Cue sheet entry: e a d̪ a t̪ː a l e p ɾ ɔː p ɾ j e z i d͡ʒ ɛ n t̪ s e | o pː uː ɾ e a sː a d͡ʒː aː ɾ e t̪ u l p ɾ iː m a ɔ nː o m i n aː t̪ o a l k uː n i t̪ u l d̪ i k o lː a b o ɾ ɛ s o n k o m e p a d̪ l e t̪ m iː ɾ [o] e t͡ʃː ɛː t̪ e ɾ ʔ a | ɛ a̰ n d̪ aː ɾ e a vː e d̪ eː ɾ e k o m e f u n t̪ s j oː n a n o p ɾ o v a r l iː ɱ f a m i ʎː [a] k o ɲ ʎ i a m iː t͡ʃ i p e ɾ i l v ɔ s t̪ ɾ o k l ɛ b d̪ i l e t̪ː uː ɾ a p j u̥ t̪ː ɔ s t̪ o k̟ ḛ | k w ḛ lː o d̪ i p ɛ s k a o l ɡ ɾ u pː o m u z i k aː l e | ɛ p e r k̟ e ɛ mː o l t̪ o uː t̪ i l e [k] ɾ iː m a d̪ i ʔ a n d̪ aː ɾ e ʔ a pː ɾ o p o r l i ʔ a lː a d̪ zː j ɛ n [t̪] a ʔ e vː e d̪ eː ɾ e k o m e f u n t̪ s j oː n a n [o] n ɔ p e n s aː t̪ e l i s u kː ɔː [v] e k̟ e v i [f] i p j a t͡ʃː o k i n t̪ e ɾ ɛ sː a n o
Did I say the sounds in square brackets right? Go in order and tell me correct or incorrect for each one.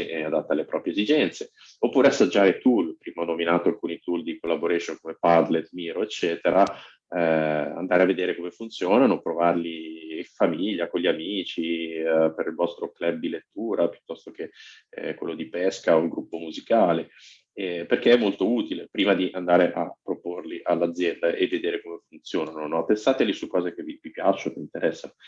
correct, correct, incorrect: p, incorrect: d̪, correct, incorrect: z, incorrect: v

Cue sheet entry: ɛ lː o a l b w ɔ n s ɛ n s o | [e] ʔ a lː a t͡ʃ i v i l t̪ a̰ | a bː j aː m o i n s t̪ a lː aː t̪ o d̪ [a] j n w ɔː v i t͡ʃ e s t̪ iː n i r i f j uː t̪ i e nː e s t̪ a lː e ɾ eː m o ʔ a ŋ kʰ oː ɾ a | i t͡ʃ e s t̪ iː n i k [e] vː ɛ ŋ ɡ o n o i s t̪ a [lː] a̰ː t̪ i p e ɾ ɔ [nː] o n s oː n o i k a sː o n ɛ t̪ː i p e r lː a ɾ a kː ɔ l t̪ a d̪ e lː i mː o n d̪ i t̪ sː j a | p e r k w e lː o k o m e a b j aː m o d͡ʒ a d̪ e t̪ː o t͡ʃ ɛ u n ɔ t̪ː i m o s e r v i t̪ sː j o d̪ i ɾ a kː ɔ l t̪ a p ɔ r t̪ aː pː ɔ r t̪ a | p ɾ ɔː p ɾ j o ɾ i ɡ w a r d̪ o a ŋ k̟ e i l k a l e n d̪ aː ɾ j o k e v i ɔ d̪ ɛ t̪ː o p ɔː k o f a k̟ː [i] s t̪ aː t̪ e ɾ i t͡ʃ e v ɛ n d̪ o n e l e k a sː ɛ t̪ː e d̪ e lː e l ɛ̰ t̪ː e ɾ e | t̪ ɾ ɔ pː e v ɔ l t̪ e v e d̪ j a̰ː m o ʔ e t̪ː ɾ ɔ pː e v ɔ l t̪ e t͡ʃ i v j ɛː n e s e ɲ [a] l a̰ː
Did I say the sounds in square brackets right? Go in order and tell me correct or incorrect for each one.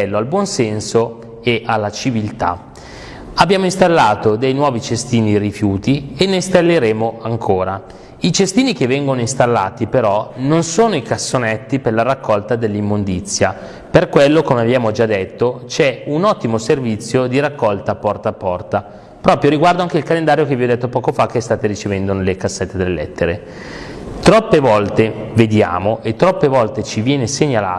correct, incorrect: e, correct, correct, incorrect: n, incorrect: e, correct

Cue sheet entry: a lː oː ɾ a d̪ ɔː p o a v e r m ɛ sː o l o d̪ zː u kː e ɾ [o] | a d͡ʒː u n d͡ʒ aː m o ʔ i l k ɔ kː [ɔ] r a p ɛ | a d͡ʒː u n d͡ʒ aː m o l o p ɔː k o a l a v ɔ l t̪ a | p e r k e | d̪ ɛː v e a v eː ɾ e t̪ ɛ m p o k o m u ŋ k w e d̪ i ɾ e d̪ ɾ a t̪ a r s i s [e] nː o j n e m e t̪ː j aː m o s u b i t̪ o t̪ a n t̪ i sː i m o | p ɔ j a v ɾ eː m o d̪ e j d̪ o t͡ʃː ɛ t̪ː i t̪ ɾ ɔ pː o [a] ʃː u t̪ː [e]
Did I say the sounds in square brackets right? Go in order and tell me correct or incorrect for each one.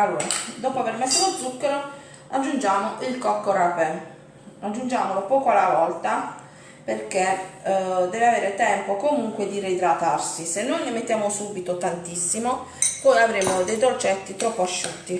correct, incorrect: o, correct, correct, incorrect: i

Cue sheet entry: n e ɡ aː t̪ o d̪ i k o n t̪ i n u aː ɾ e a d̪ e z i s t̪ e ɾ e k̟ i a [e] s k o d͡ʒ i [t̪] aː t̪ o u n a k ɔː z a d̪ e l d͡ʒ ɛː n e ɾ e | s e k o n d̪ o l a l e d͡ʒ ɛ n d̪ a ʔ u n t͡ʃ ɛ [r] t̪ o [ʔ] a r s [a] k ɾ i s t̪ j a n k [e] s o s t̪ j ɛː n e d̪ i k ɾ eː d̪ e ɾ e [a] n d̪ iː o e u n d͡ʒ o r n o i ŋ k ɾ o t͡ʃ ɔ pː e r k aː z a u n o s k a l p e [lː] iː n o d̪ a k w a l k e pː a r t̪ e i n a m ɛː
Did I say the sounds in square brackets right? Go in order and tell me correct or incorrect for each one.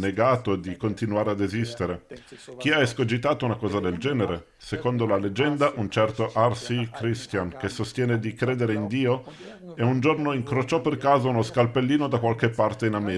correct, correct, correct, correct, incorrect: i, correct, incorrect: i, correct

